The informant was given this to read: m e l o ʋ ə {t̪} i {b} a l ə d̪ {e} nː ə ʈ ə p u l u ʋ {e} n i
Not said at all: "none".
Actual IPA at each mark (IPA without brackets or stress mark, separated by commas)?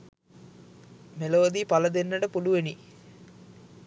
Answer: d̪, p, e, e